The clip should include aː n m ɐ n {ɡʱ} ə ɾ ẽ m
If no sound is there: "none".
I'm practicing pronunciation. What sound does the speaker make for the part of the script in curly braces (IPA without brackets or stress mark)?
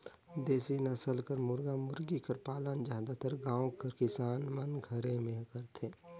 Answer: ɡʱ